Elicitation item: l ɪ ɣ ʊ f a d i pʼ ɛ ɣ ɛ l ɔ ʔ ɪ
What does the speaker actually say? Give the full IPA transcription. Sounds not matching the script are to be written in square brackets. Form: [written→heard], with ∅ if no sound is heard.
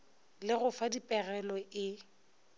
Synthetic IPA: l ɪ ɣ ʊ f a d i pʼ ɛ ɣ ɛ l ɔ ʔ ɪ